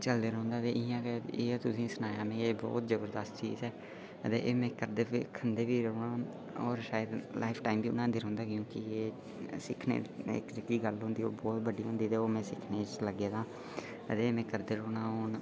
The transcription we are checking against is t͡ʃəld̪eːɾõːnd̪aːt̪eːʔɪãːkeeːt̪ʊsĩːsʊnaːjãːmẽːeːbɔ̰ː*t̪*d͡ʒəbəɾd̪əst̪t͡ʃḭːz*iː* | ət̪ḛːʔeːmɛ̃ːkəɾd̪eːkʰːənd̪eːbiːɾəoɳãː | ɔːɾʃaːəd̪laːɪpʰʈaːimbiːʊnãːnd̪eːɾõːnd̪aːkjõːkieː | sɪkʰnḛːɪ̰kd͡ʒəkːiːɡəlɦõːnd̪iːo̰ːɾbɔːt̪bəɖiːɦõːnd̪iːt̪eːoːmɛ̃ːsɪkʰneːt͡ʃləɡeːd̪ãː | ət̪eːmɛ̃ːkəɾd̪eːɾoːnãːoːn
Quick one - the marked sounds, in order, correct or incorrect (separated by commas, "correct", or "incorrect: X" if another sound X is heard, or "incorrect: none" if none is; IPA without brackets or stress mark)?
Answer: correct, incorrect: ɛː